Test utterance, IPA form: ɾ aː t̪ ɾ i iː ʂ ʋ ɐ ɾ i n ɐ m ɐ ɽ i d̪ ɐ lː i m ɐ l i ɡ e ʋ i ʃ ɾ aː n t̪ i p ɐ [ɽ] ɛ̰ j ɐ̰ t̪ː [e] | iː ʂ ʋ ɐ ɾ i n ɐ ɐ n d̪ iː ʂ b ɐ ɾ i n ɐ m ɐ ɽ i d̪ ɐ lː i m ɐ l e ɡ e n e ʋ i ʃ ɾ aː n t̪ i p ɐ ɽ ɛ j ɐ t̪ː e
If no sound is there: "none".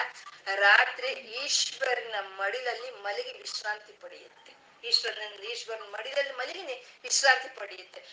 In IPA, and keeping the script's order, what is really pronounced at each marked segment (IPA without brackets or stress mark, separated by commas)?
ɽ, e